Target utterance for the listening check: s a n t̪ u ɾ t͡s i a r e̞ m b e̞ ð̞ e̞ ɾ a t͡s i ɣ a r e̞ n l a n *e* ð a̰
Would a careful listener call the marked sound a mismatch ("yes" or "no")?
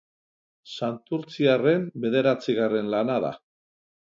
yes